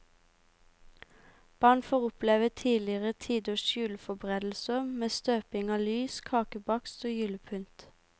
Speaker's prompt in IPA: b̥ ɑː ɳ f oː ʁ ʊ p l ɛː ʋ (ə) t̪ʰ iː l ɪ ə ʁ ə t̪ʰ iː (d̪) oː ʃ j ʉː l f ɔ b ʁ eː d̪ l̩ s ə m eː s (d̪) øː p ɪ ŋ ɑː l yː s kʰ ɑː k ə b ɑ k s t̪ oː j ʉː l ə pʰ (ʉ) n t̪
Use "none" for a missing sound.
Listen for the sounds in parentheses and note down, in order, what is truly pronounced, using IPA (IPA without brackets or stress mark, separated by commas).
ə, d̪, t̪, ʉ